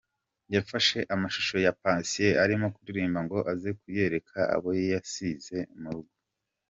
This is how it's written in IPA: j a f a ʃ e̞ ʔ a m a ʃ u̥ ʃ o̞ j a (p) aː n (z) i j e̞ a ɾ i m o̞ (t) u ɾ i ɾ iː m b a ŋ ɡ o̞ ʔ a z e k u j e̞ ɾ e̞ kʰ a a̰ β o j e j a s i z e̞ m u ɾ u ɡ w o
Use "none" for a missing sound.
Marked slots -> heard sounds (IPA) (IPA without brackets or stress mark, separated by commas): p, s, k